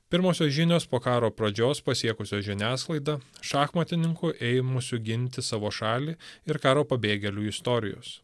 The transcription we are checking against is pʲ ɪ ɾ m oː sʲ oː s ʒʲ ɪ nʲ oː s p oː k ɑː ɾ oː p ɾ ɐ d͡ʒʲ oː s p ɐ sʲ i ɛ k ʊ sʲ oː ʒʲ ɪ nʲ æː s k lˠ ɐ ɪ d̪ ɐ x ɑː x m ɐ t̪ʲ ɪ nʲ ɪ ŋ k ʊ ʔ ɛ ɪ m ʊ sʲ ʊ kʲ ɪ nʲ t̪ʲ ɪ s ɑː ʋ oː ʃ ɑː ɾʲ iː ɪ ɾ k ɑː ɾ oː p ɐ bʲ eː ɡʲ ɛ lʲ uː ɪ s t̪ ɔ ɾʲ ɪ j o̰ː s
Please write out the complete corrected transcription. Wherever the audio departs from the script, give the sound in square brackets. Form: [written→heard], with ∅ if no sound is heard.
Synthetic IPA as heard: pʲ ɪ ɾ m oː sʲ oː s ʒʲ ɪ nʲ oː s p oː k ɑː ɾ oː p ɾ ɐ d͡ʒʲ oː s p ɐ sʲ i ɛ k ʊ sʲ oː ʒʲ ɪ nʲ æː s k lˠ ɐ ɪ d̪ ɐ [x→ʃ] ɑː x m ɐ t̪ʲ ɪ nʲ ɪ ŋ k ʊ ʔ ɛ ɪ m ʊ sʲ ʊ [kʲ→ɡʲ] ɪ nʲ t̪ʲ ɪ s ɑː ʋ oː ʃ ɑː [ɾʲ→lʲ] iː ɪ ɾ k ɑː ɾ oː p ɐ bʲ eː ɡʲ ɛ lʲ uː ɪ s t̪ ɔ ɾʲ ɪ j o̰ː s